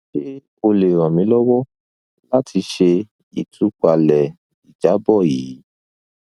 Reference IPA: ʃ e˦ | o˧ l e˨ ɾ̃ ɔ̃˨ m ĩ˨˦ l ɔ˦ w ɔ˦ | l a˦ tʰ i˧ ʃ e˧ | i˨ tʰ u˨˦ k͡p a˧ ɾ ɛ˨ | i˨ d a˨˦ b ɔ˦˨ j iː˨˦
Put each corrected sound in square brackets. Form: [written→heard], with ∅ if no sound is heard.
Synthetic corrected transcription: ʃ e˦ | o˧ l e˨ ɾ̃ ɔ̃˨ m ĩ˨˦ l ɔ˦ w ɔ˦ | l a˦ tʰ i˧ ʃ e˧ | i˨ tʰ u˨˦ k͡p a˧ [ɾ→l] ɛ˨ | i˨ [d→d͡ʒ] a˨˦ b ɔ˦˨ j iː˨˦